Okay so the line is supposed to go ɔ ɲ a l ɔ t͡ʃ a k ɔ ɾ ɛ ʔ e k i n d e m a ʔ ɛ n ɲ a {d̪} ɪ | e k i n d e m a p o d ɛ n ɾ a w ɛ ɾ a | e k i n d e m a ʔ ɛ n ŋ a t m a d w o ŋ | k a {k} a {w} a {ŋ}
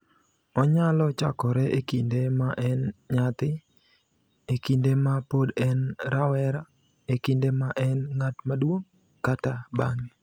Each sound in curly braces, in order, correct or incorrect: incorrect: t̪, incorrect: t, incorrect: b, correct

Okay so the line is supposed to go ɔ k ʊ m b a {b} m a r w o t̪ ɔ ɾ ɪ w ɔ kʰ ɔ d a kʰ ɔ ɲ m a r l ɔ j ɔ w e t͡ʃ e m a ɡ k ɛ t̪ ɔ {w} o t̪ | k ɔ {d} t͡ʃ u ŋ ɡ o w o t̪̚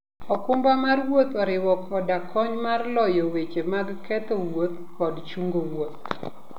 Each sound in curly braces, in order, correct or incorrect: incorrect: none, correct, correct

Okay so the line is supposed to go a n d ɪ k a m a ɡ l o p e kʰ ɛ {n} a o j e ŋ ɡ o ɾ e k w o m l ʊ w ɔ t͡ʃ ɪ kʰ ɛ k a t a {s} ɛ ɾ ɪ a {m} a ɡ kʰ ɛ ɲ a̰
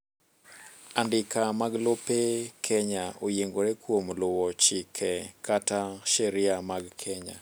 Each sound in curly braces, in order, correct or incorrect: incorrect: ɲ, incorrect: ʃ, correct

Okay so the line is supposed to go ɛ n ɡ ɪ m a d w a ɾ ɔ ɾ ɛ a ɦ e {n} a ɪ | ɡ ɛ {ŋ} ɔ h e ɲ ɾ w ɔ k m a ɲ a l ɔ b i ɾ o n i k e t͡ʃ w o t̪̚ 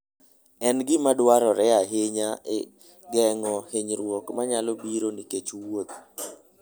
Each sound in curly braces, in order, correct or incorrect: incorrect: ɲ, correct

